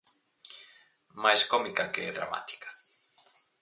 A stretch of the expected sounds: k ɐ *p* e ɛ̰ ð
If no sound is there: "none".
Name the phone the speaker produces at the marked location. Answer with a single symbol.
k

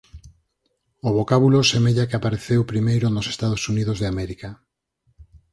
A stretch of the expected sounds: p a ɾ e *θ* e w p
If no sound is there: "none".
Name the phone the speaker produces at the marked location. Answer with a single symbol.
θ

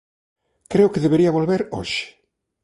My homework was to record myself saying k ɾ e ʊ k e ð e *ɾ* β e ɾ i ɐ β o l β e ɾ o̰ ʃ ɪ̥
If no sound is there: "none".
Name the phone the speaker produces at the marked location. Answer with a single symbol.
none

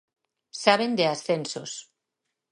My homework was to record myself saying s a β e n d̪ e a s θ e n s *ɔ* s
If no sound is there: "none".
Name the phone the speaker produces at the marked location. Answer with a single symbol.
o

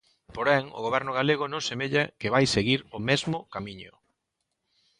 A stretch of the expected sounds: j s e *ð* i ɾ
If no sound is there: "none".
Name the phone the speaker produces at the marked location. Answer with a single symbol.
ɣ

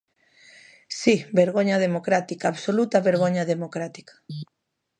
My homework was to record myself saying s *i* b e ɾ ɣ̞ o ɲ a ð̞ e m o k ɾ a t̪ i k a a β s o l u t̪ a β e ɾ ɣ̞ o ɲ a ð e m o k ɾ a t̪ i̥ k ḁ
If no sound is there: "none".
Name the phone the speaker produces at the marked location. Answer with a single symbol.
i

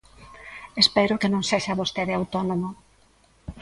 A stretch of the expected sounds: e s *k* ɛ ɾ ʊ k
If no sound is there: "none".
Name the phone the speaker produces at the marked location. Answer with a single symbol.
p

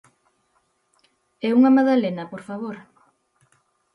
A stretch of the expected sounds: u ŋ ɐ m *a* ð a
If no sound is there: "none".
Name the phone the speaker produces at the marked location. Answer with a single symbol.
a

